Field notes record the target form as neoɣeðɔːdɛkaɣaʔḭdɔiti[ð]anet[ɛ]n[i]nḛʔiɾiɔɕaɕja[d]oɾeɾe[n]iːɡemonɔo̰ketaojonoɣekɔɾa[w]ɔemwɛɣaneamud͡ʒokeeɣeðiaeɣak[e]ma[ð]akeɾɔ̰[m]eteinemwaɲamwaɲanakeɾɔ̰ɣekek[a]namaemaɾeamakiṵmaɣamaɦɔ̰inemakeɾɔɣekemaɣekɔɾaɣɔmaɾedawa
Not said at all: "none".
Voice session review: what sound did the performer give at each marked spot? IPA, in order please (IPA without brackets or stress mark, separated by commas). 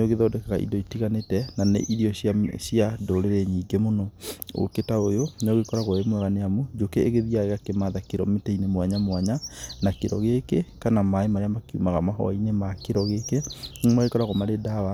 ɣ, ɛ, a, d, ɲ, ɣ, e, ð, m, a